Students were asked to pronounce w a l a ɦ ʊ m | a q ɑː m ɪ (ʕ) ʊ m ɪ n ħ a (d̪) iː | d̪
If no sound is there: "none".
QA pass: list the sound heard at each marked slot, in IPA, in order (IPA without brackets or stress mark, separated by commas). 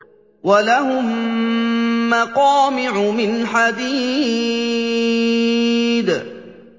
ʕ, d̪